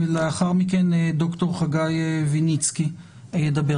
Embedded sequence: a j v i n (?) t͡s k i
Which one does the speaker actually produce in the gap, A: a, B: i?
B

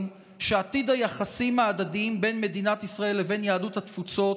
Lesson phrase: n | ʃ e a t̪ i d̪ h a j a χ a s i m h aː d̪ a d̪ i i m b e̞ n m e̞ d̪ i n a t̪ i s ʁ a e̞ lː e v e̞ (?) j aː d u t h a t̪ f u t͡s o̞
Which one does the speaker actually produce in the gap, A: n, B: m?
A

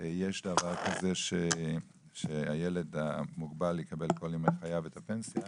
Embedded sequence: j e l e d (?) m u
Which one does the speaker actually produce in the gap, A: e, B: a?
B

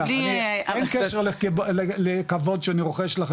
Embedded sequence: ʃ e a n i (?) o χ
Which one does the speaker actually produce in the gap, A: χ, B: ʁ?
B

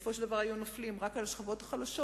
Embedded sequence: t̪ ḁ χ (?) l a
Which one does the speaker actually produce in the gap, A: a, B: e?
A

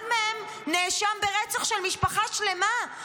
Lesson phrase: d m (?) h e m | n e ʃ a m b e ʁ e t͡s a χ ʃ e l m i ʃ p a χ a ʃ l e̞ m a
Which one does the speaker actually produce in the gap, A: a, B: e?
B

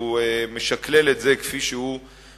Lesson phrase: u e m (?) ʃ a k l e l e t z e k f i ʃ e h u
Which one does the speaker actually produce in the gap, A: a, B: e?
B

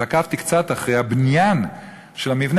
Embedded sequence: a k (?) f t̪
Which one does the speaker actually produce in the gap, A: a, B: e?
A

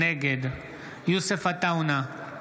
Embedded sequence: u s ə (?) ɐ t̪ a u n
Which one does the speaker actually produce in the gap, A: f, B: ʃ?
A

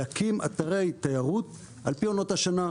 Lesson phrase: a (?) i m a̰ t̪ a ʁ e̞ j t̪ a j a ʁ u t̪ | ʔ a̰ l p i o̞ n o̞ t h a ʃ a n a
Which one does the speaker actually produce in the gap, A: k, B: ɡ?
A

